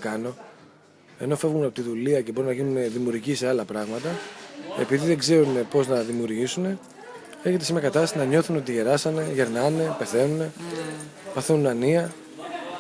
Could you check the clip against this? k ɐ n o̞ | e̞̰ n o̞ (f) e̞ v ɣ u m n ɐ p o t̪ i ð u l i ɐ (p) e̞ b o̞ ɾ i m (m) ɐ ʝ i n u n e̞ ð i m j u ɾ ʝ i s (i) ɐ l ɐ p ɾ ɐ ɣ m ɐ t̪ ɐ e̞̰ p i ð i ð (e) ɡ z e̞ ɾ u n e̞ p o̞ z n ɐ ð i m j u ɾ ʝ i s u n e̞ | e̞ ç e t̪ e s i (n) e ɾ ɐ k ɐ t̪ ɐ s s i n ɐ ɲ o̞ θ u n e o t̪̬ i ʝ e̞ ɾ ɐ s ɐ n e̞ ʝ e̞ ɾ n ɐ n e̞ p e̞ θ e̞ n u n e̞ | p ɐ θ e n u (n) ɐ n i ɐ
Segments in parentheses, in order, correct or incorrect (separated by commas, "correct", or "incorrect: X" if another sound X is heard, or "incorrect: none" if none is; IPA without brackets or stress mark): correct, incorrect: c, incorrect: n, incorrect: e, correct, incorrect: m, correct